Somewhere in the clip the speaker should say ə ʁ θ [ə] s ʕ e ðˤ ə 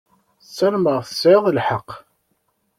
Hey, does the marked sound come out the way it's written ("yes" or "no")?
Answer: yes